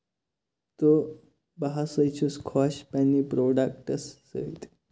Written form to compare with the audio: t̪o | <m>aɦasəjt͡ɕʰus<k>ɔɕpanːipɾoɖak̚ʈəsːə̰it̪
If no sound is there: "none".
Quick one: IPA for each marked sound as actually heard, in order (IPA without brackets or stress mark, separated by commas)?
b, kʰ